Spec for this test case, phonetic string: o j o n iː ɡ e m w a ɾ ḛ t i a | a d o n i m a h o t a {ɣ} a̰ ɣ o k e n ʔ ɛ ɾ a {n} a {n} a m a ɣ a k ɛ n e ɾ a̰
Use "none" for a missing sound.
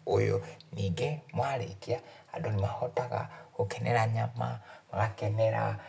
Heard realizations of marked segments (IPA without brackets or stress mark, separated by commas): ɣ, ɲ, m